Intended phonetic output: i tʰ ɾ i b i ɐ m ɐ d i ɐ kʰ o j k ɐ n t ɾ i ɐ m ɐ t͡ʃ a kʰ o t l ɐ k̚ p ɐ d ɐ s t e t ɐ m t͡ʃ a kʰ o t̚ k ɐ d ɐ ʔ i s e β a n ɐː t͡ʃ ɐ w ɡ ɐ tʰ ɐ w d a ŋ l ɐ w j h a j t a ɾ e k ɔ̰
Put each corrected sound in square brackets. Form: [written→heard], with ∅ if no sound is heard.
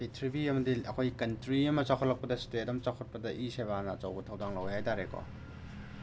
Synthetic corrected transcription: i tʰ ɾ i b i ɐ m ɐ d i ɐ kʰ o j k ɐ n t ɾ i ɐ m ɐ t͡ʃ a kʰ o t l ɐ k̚ p ɐ d ɐ s t e t ɐ m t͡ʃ a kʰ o t̚ [k→p] ɐ d ɐ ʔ i s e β a n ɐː t͡ʃ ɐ w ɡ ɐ tʰ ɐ w d a ŋ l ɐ w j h a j t a ɾ e k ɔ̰